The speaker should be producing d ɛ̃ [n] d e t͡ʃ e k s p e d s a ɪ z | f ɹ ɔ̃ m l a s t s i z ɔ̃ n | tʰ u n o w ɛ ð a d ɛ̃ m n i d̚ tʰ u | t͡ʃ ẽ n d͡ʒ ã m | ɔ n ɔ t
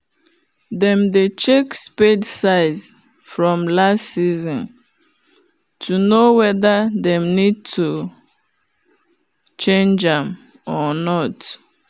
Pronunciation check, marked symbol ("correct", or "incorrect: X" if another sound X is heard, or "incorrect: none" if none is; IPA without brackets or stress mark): incorrect: m